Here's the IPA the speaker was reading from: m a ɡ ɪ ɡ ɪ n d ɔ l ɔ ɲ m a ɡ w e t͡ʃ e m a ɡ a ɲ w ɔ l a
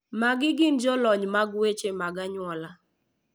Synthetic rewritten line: m a ɡ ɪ ɡ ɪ n d͡ʒ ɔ l ɔ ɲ m a ɡ w e t͡ʃ e m a ɡ a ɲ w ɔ l a